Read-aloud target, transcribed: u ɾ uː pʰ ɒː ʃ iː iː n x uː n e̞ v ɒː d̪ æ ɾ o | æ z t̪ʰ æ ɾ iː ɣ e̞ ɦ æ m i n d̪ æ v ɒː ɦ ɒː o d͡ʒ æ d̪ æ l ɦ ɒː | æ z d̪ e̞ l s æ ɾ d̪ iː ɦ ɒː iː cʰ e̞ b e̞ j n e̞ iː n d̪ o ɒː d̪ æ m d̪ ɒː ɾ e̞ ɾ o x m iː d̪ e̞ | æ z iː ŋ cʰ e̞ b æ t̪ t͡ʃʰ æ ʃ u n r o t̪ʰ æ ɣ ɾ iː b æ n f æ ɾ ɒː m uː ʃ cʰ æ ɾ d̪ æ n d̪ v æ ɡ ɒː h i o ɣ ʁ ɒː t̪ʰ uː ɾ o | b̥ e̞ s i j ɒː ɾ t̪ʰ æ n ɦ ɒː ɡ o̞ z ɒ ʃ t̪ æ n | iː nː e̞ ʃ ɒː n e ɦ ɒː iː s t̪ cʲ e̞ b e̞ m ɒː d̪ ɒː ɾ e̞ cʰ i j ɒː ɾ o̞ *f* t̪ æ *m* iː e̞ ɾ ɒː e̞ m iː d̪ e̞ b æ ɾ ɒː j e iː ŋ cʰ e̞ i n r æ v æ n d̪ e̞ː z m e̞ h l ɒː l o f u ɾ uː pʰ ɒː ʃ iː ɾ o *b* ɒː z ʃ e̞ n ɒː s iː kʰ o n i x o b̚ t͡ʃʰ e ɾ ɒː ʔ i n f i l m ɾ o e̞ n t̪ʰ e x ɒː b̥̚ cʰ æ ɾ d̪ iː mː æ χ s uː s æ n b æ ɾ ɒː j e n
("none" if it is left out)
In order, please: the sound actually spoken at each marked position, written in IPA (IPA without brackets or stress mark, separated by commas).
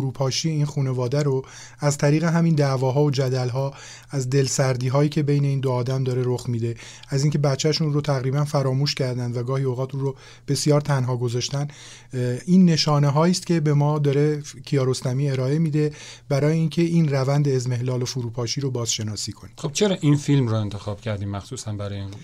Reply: s, m, b